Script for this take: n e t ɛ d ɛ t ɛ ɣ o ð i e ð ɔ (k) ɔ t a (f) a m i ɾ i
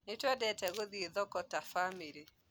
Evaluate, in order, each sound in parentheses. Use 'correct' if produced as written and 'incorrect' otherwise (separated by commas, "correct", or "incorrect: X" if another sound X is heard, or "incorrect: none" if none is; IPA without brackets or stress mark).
correct, correct